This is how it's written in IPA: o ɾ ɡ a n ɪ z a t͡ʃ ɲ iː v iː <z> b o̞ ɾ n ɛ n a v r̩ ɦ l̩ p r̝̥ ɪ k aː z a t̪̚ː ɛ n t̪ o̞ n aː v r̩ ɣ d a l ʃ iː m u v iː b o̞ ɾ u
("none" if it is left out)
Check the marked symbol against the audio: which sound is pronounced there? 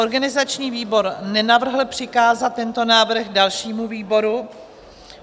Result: none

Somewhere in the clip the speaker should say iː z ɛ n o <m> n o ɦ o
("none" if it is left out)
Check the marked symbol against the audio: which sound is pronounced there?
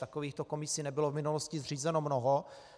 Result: m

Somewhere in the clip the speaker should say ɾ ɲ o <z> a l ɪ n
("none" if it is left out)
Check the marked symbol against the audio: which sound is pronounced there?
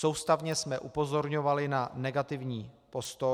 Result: v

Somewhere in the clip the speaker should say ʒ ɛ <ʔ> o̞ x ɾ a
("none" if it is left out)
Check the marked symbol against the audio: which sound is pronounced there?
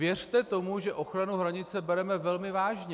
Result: ʔ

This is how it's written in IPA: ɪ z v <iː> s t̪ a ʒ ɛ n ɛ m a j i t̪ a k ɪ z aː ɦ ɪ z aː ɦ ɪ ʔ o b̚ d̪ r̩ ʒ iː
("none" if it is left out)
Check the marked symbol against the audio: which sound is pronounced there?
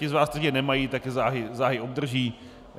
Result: aː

